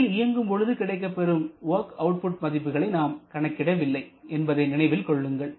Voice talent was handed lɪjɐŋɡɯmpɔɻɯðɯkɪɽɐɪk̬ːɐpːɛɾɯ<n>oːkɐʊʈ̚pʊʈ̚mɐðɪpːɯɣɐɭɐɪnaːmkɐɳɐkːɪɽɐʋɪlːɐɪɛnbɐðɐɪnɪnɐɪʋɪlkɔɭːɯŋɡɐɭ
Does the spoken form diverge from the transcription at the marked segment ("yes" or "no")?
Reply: yes